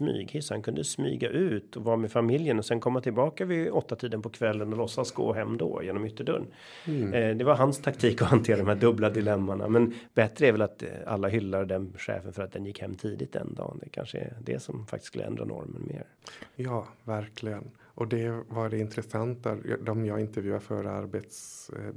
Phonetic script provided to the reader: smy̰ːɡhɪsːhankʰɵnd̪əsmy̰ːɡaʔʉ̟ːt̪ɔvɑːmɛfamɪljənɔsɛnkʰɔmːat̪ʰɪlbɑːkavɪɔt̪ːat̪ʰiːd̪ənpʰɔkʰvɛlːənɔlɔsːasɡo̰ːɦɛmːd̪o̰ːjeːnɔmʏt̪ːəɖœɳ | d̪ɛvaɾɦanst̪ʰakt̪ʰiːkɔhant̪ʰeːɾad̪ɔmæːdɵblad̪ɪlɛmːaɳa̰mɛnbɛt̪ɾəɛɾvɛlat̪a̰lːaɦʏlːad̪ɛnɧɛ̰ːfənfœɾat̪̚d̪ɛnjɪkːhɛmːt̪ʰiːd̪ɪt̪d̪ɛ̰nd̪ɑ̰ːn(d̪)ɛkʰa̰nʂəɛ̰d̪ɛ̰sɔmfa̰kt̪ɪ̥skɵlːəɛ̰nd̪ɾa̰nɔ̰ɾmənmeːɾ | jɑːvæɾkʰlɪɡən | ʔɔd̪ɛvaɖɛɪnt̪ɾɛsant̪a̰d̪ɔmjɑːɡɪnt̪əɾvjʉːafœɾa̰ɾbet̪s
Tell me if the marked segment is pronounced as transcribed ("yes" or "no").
yes